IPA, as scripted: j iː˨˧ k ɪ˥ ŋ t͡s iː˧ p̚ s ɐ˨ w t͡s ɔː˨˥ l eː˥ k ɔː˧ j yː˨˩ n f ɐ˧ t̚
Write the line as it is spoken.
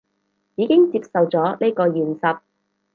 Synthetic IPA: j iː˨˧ k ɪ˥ ŋ t͡s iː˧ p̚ s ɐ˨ w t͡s ɔː˨˥ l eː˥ k ɔː˧ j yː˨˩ n s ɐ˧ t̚